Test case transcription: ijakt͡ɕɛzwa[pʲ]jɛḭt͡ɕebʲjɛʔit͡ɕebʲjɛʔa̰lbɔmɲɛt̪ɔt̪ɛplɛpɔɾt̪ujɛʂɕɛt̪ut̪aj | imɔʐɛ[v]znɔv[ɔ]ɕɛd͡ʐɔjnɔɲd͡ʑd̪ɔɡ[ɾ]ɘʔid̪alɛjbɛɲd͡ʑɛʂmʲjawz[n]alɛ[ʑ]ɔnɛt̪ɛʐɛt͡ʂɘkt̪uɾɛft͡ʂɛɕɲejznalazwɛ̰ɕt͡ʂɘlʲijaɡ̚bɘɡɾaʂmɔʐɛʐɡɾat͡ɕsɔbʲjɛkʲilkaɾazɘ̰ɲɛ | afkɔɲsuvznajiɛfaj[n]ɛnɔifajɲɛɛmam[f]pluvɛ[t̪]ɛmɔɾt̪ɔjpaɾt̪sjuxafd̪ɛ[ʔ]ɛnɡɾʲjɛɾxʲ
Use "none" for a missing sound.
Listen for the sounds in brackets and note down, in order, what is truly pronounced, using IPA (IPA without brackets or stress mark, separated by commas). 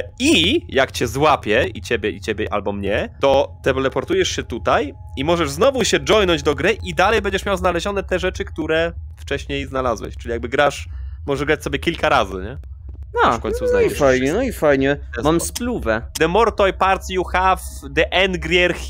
pʲ, ʐ, u, ɾ, n, ʑ, ɲ, s, d̪, ʔ